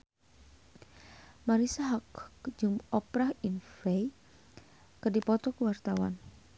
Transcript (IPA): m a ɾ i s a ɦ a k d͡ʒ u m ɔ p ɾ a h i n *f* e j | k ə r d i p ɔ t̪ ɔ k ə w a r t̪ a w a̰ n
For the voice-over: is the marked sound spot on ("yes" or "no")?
yes